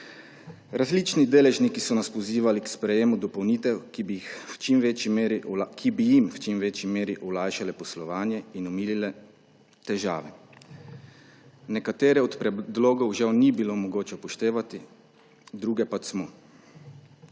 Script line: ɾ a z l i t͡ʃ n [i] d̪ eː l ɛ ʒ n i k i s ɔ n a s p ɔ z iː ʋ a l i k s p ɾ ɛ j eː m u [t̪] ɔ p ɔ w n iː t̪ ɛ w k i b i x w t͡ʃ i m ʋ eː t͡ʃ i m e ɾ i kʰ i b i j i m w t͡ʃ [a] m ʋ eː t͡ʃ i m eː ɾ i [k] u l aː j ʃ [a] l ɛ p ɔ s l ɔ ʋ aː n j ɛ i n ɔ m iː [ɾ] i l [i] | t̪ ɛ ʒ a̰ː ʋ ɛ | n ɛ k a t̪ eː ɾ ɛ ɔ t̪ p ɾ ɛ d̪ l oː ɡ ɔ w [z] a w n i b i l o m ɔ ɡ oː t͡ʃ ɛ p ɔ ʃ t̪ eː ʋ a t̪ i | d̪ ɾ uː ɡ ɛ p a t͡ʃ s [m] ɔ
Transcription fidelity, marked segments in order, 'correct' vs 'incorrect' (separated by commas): correct, incorrect, incorrect, incorrect, correct, incorrect, incorrect, incorrect, correct